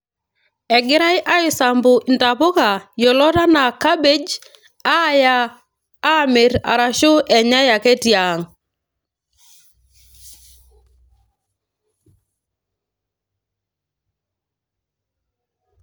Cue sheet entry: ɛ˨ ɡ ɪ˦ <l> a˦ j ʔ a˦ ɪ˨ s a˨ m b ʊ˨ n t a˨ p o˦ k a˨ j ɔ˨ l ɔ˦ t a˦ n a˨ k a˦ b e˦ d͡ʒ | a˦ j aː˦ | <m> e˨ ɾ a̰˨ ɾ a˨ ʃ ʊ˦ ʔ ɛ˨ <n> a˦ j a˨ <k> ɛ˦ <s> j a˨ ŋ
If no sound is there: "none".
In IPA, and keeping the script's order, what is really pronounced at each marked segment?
ɾ, m, ɲ, k, t

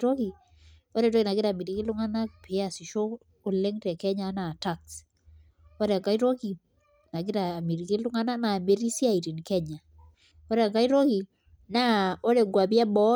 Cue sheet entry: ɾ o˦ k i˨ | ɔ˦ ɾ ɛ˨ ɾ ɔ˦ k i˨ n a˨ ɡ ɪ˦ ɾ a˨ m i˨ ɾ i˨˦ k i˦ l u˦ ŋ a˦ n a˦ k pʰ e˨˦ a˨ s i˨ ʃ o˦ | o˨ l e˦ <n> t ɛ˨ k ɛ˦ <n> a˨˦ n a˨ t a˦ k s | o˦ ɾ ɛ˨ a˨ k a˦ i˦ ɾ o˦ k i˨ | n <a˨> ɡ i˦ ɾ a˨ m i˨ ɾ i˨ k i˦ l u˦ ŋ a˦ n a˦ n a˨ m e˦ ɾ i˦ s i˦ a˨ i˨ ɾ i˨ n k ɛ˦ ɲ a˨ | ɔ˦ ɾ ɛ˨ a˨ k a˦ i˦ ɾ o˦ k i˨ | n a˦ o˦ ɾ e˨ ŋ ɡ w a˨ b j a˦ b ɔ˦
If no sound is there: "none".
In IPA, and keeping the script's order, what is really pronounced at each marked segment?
ŋ, ɲ, a˨

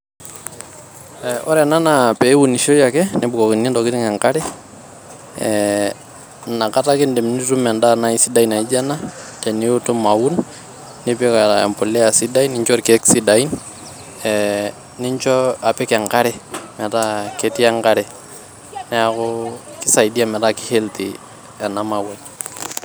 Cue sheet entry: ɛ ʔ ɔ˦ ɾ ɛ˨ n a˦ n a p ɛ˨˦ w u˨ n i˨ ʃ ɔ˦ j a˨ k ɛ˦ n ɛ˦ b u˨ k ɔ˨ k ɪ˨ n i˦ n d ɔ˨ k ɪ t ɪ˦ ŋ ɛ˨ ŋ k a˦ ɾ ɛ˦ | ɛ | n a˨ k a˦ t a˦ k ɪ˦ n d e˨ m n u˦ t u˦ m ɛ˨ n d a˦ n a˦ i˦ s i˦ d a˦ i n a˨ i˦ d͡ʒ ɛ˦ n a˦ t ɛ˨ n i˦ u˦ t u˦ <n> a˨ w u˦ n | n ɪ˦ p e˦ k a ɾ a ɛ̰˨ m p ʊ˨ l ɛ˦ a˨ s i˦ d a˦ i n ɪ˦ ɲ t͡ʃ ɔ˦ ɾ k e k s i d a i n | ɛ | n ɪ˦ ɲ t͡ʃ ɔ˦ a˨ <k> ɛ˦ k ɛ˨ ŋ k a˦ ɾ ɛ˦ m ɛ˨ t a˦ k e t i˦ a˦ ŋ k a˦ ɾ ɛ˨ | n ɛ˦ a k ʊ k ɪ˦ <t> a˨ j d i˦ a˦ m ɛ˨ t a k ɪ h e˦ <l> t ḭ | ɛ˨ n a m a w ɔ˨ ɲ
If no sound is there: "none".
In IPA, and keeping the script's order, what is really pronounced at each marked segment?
m, p, s, l

